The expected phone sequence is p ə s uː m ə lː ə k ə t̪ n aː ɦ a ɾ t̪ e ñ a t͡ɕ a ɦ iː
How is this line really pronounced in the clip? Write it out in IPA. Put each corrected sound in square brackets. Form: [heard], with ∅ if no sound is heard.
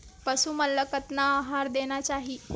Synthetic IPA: p ə s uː m ə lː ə k ə t̪ n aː ɦ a ɾ [d̪] e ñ a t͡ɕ a ɦ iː